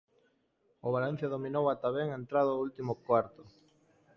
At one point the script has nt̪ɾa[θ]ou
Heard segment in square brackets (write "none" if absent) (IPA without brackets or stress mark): ð